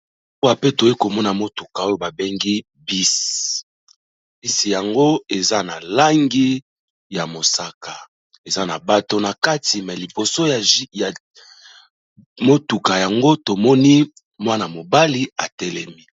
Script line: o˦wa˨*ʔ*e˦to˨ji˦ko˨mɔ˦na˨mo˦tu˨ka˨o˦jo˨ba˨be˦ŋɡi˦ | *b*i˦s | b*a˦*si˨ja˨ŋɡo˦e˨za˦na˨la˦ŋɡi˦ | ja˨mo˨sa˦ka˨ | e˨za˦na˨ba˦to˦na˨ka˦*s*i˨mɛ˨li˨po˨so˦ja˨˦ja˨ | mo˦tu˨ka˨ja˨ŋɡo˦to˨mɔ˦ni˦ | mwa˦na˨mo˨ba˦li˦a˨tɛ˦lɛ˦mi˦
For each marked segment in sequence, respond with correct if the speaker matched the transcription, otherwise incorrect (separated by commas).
incorrect, correct, incorrect, incorrect